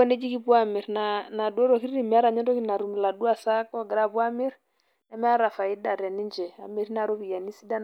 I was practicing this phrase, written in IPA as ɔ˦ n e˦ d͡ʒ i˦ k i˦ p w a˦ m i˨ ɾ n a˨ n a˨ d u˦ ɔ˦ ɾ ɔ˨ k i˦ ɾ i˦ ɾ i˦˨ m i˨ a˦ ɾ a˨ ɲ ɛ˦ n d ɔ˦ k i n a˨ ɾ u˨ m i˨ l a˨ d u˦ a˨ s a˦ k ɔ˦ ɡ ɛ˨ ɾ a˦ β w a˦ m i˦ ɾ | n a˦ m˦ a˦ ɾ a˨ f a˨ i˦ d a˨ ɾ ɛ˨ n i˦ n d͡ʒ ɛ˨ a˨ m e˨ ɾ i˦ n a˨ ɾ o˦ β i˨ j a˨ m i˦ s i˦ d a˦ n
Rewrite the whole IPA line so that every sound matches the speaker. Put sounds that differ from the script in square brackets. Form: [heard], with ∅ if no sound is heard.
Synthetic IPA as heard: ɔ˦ n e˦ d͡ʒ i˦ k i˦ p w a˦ m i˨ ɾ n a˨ n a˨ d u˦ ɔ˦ ɾ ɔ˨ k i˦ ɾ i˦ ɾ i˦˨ m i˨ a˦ ɾ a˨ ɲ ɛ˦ n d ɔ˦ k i n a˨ ɾ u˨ m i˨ l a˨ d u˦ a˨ s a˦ k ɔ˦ ɡ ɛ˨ ɾ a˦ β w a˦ m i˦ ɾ | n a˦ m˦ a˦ ɾ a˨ f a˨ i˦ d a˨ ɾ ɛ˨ n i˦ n d͡ʒ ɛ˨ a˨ m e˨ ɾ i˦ n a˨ ɾ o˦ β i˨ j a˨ [n] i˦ s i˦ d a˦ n